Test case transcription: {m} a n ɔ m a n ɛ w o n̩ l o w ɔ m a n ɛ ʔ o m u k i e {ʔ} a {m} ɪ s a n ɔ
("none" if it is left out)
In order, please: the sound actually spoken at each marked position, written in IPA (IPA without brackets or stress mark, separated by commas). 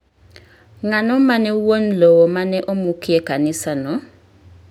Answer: ŋ, k, n